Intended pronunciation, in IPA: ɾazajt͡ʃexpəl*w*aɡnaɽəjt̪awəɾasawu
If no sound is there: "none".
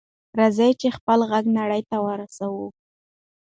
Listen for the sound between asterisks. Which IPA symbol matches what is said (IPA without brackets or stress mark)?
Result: ɣ